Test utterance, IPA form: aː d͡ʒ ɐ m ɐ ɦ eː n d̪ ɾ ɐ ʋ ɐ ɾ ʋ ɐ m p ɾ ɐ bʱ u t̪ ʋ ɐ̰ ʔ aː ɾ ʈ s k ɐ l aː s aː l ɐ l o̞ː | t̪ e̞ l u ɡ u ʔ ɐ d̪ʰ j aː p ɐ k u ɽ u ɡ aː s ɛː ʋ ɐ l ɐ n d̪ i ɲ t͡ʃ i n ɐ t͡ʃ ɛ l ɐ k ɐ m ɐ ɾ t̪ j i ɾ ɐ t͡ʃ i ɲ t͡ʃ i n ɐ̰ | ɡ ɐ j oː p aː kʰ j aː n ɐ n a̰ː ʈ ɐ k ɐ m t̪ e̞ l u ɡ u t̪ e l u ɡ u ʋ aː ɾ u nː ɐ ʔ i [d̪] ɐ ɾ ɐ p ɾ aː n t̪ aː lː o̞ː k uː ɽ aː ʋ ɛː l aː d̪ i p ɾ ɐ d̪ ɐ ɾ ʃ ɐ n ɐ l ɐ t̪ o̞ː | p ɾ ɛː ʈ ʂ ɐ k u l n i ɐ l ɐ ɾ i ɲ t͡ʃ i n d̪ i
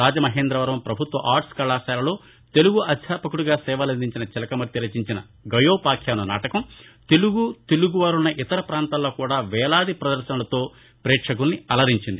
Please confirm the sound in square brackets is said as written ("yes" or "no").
no